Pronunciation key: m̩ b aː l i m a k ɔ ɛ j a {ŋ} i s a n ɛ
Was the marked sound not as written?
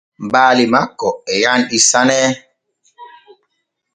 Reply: yes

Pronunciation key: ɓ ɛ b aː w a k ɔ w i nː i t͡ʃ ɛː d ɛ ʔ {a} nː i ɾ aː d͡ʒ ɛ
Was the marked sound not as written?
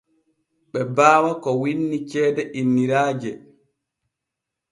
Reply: yes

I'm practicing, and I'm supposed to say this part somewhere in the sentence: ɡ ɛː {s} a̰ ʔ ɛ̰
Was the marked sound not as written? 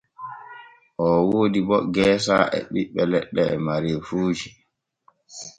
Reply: no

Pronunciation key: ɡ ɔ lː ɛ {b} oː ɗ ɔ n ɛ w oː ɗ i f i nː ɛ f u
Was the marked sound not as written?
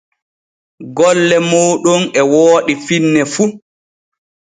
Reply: yes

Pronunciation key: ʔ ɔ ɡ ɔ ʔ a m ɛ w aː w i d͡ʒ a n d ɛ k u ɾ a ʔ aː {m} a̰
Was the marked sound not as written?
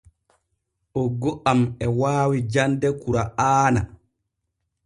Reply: yes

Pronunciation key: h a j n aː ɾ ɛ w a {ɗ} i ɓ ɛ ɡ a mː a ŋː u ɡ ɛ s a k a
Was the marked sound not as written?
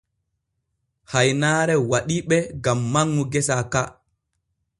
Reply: no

